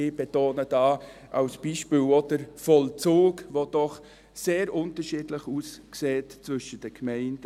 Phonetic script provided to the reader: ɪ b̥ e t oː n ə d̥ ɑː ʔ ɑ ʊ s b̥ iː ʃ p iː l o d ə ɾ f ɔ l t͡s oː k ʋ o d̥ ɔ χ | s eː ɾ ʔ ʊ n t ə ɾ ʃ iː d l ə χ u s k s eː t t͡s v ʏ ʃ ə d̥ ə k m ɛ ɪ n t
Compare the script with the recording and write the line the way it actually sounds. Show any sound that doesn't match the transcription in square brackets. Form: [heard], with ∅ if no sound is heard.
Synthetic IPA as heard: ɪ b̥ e t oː n ə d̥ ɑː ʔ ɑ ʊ s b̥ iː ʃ p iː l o d ə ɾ f ɔ l t͡s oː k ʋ o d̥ ɔ χ | s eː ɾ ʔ ʊ n t ə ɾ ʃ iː d l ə χ u s k s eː t t͡s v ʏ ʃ ə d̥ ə k m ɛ ɪ n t

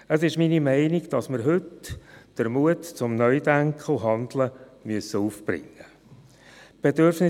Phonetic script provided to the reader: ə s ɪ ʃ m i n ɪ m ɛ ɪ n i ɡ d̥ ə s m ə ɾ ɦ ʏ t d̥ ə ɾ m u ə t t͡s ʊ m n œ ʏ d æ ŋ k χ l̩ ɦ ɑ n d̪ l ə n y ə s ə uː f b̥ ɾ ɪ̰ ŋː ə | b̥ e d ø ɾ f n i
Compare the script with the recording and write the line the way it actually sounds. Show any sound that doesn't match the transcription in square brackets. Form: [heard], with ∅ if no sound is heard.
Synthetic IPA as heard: ə s ɪ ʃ m i n [i] m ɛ ɪ n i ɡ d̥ [ɑ] s m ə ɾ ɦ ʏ t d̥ ə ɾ m u ə t t͡s ʊ m n œ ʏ d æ ŋ k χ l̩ ɦ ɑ n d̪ l ə [m] y ə s ə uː f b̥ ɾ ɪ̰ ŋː ə | b̥ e d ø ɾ f n [ɪ]

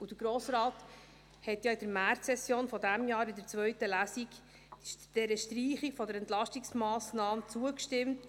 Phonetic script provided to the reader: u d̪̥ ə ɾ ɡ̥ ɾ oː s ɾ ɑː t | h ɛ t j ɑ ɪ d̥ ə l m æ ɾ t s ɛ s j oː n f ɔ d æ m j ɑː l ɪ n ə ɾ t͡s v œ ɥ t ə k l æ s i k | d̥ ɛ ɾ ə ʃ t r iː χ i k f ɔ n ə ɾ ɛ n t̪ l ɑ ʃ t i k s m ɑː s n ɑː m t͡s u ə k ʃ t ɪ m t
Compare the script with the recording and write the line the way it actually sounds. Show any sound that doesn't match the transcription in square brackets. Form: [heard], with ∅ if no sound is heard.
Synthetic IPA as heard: u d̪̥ ə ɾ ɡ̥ ɾ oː s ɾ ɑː t | h ɛ t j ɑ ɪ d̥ ə [ɾ] m æ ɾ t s ɛ s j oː n f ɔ d æ m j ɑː [ɾ] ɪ [d] ə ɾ t͡s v œ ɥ t ə [∅] l æ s i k | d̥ ɛ ɾ ə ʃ t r iː χ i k f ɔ [d] ə ɾ ɛ n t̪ l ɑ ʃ t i k s m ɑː s n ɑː m t͡s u ə k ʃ t ɪ m t

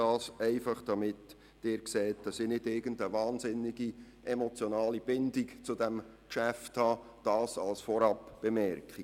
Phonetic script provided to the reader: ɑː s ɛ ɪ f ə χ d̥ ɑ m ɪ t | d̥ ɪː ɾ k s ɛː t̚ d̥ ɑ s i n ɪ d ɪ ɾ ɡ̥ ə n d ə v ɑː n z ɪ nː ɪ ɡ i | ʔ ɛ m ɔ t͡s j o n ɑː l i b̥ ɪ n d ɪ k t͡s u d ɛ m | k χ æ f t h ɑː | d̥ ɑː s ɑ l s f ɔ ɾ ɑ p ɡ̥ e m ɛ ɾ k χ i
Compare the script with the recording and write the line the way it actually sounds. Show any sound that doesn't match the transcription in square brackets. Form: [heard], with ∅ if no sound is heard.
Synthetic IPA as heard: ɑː s ɛ ɪ f [ɑ] χ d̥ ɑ m ɪ t | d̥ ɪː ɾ k s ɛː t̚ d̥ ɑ s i n ɪ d ɪ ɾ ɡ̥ ə n d ə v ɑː n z ɪ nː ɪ ɡ i | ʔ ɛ m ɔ t͡s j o n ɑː l i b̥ ɪ n d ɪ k t͡s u d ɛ m | k [ʃ] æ f t h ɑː | d̥ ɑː s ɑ l s f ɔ ɾ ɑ p [b̥] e m ɛ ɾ k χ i

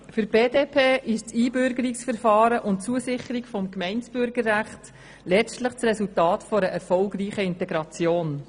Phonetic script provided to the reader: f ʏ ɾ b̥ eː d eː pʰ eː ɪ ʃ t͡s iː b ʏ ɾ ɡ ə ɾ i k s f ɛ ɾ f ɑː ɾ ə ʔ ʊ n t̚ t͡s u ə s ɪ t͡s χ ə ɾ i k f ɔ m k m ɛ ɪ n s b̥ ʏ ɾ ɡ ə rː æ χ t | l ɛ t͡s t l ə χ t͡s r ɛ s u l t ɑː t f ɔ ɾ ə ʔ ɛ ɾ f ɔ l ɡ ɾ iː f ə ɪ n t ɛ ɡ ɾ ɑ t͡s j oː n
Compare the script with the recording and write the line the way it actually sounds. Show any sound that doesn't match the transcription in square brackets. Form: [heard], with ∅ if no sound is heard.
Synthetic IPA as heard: f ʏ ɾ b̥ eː d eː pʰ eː ɪ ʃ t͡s iː b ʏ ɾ ɡ ə ɾ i k s f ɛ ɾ f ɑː ɾ ə ʔ ʊ n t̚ t͡s u ə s ɪ [∅] χ ə ɾ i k f ɔ m k m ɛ ɪ n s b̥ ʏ ɾ ɡ ə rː æ χ t | l ɛ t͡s t l ə χ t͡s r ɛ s u l t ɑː t f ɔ ɾ ə ʔ ɛ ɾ f ɔ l ɡ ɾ iː [χ] ə ɪ n t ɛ ɡ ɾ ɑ t͡s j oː n

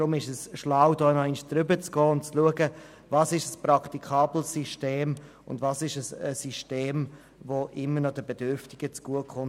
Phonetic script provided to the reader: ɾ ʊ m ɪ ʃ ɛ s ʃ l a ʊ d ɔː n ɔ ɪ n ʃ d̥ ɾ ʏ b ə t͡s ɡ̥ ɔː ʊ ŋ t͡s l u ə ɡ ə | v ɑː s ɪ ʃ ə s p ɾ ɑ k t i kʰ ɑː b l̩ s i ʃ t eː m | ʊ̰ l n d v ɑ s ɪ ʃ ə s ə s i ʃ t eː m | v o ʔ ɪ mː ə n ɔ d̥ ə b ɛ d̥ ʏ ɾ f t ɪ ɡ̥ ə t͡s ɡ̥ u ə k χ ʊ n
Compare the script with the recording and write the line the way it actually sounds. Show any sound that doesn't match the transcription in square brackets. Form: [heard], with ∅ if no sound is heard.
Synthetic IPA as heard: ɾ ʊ m ɪ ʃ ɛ s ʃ l a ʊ d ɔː n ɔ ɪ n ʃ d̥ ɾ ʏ b ə t͡s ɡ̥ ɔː ʊ [n] t͡s l u ə ɡ ə | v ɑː s ɪ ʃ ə s p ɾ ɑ k t i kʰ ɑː b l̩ s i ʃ t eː m | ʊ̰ [∅] n d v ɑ s ɪ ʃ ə s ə s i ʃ t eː m | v o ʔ ɪ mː ə n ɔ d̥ ə b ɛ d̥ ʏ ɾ f t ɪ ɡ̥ ə t͡s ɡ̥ u ə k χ ʊ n

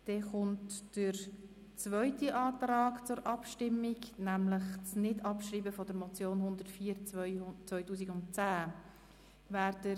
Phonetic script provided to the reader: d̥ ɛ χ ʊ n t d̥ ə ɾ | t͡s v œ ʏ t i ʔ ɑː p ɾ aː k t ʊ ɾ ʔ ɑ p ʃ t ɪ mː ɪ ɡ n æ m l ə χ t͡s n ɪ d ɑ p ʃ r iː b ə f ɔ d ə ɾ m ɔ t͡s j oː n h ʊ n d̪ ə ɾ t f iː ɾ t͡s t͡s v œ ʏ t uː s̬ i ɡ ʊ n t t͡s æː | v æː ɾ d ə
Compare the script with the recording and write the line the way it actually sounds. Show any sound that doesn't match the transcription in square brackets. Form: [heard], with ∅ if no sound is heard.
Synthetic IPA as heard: d̥ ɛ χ ʊ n t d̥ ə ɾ | t͡s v œ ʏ t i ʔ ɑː [t] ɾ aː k [t͡s] ʊ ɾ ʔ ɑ p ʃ t ɪ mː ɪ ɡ n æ m l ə χ t͡s n ɪ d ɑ p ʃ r iː b ə f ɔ d ə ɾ m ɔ t͡s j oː n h ʊ n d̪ ə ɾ t f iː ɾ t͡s t͡s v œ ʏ t uː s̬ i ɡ ʊ n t t͡s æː | v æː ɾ d ə

